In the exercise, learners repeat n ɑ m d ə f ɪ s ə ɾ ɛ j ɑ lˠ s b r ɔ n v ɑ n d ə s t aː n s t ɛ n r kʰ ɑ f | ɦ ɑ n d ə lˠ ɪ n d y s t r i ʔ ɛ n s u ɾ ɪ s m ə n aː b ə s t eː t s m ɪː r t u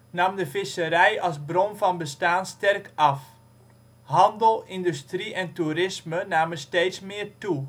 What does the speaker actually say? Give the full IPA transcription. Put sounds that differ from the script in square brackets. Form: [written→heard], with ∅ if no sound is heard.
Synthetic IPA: n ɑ m d ə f ɪ s ə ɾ ɛ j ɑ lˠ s b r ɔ n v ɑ n [d→b] ə s t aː n s t ɛ [n→∅] r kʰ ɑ f | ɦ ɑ n d ə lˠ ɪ n d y s t r i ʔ ɛ n [s→t] u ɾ ɪ s m ə n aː [b→m] ə s t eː t s m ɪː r t u

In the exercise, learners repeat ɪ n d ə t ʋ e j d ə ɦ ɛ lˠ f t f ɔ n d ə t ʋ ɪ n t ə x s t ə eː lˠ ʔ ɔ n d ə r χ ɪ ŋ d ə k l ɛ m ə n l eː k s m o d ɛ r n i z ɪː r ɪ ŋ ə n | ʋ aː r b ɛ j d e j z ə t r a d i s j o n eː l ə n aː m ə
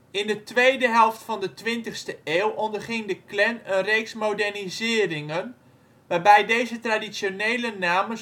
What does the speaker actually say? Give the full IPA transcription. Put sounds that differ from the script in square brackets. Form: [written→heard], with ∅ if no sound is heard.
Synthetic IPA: ɪ n d ə t ʋ e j d ə ɦ ɛ lˠ f t f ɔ n d ə t ʋ ɪ n t ə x s t ə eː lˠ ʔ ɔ n d ə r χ ɪ ŋ d ə k l ɛ [m→n] ə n [l→r] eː k s m o d ɛ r n i z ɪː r ɪ ŋ ə n | ʋ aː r b ɛ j d e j z ə t r a d i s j o n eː l ə n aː m ə

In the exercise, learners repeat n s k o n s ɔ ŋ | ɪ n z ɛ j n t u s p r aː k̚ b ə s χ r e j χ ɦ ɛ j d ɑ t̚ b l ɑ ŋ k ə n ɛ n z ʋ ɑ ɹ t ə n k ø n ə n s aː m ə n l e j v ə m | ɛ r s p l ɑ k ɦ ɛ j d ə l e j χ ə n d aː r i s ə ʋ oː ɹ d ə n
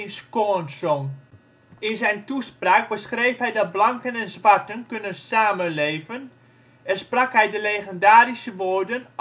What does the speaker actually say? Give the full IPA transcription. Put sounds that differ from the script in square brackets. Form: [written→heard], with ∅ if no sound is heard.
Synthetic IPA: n s k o n s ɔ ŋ | ɪ n z ɛ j n t u s p r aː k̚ b ə s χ r e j [χ→f] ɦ ɛ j d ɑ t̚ b l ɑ ŋ k ə n ɛ n z ʋ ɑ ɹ t ə n k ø n ə n s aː m ə n l e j v ə [m→n] | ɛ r s p [l→r] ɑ k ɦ ɛ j d ə l e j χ ə n d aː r i s ə ʋ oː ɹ d ə n

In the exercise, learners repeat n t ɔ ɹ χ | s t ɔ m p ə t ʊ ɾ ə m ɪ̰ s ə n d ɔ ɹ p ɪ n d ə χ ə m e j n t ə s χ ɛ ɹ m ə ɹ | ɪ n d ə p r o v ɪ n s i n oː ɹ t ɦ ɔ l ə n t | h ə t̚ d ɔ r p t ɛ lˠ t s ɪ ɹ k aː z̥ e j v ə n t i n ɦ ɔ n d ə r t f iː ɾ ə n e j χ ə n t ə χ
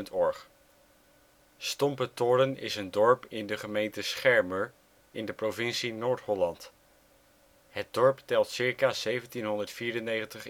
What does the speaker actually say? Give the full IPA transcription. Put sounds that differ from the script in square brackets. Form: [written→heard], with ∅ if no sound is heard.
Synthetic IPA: n t ɔ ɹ χ | s t ɔ m p ə t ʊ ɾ ə [m→n] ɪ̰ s ə n d ɔ ɹ p ɪ n d ə χ ə m e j n t ə s χ ɛ ɹ m ə ɹ | ɪ n d ə p r o v ɪ n s i n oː ɹ t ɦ ɔ l [ə→ɑ] n t | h ə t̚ d ɔ [r→ɹ] p t ɛ lˠ t s ɪ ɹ k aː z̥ e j v ə n t i n ɦ ɔ n d ə [r→ɹ] t f iː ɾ ə n e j χ ə n t ə χ

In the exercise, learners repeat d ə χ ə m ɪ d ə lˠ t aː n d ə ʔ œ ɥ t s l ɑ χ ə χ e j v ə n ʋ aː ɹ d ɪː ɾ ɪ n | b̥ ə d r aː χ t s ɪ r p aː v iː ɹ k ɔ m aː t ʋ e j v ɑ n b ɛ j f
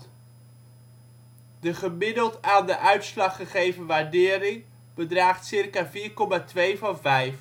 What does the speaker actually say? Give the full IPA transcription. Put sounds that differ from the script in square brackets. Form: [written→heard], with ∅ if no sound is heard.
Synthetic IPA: d ə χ ə m ɪ d ə lˠ t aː n d ə ʔ œ ɥ t s l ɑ χ ə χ e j v ə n ʋ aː ɹ d ɪː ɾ ɪ [n→ŋ] | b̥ ə d r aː χ t s ɪ r [p→k] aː v iː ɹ k ɔ m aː t ʋ e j v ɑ n [b→v] ɛ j f

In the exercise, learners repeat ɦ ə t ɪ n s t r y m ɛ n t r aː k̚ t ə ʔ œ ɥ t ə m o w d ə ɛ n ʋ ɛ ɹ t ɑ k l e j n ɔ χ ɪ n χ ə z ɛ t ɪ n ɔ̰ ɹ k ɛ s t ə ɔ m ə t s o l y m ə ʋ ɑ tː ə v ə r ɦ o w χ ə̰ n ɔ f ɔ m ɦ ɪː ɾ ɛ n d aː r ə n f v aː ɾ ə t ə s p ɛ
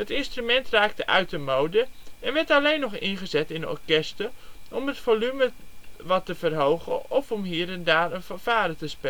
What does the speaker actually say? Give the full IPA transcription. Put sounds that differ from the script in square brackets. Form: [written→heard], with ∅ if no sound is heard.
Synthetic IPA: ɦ ə t ɪ n s t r y m ɛ n t r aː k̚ t ə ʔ œ ɥ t ə m o w d ə ɛ n ʋ ɛ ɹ t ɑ [k→∅] l e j n ɔ χ ɪ n χ ə z ɛ t ɪ n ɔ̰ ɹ k ɛ s t ə ɔ m ə t [s→f] o l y m ə ʋ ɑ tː ə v ə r ɦ o w χ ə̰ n ɔ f ɔ m ɦ [ɪː→iː] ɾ ɛ n d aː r ə n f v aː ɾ ə t ə s p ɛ

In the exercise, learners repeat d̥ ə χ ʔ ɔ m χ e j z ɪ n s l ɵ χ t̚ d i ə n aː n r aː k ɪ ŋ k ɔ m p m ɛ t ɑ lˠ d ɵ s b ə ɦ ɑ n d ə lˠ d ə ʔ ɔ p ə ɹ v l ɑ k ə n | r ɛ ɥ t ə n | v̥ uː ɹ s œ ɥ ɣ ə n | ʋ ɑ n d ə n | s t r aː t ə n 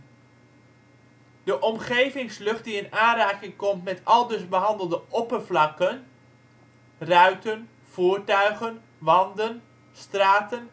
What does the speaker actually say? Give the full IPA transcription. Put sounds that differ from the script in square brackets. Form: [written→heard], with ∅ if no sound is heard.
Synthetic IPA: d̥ ə [χ→∅] ʔ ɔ m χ e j [z→v] ɪ [n→ŋ] s l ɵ χ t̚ d i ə n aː n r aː k ɪ ŋ k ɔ m [p→t] m ɛ t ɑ lˠ d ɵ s b ə ɦ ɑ n d ə lˠ d ə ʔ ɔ p ə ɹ v l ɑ k ə n | r [ɛ→œ] ɥ t ə n | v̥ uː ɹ [s→t] œ ɥ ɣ ə n | ʋ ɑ n d ə n | s t r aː t ə n

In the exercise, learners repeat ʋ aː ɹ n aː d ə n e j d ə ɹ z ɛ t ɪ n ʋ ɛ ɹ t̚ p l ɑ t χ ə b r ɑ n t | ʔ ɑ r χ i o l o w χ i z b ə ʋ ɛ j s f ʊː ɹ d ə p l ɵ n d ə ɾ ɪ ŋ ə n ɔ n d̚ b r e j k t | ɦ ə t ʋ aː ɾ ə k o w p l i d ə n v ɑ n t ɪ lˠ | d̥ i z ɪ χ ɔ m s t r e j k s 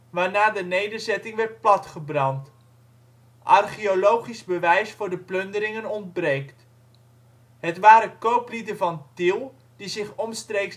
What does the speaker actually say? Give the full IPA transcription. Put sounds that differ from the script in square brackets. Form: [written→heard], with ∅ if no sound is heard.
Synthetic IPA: ʋ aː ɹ n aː d ə n e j d ə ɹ z ɛ t ɪ [n→ŋ] ʋ ɛ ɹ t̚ p l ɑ t χ ə b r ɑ n t | ʔ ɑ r χ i o l o w χ i z b ə ʋ ɛ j s f ʊː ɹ d ə p l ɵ n d ə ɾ ɪ ŋ ə n ɔ n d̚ b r e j k t | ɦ ə t ʋ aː ɾ ə k o w p l i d ə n v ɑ n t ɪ lˠ | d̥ i z ɪ χ ɔ m s t r e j k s

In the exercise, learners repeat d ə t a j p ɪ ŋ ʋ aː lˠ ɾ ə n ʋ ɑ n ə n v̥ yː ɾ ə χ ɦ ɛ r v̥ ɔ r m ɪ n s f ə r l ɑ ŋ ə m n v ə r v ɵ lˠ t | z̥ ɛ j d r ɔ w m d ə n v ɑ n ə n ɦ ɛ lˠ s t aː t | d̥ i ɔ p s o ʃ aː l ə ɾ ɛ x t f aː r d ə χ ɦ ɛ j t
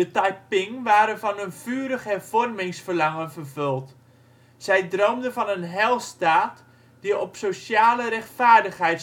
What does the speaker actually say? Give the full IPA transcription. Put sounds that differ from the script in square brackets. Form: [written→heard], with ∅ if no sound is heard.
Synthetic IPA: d ə t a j p ɪ ŋ ʋ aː [lˠ→∅] ɾ ə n [ʋ→v] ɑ n ə n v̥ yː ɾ ə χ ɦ ɛ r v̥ ɔ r m ɪ [n→ŋ] s f ə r l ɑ ŋ ə [m→∅] n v ə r v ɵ lˠ t | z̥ ɛ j d r [ɔ→o] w m d ə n v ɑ n ə n ɦ ɛ lˠ s t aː t | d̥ i ɔ p s o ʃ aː l ə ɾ ɛ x t f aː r d ə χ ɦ ɛ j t

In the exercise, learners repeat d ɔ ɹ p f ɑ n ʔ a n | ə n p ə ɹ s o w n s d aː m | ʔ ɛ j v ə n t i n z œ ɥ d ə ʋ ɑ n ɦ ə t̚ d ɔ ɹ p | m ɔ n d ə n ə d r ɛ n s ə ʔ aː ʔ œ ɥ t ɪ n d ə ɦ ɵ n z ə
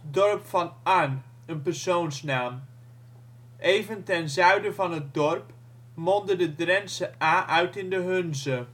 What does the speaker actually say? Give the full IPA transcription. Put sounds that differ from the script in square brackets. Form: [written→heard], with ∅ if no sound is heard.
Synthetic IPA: d ɔ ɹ p f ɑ n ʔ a n | ə n p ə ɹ s o w n s [d→n] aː m | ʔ [ɛ→e] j v ə n t [i→ɛ] n z œ ɥ d ə [ʋ→v] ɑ n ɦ ə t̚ d ɔ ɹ p | m ɔ n d ə [n→d] ə d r ɛ n s ə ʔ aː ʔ œ ɥ t ɪ n d ə ɦ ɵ n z ə

